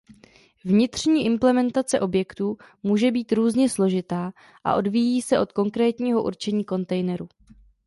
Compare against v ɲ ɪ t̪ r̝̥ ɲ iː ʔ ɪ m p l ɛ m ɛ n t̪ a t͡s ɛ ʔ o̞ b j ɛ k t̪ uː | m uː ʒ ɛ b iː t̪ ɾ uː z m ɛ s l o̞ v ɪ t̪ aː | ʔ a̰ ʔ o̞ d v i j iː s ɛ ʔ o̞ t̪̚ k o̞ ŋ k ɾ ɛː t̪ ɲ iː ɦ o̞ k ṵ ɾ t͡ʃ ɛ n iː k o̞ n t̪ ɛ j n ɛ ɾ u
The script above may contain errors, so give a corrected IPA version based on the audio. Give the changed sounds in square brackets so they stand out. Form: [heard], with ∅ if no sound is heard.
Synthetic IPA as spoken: v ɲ ɪ t̪ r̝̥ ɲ iː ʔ ɪ m p l ɛ m ɛ n t̪ a t͡s ɛ ʔ o̞ b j ɛ k t̪ uː | m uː ʒ ɛ b iː t̪ ɾ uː z [ɲ] ɛ s l o̞ [ʒ] ɪ t̪ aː | ʔ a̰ ʔ o̞ d v i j iː s ɛ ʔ o̞ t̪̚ k o̞ ŋ k ɾ ɛː t̪ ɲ iː ɦ o̞ [ʔ] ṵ ɾ t͡ʃ ɛ [ɲ] iː k o̞ n t̪ ɛ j n ɛ ɾ u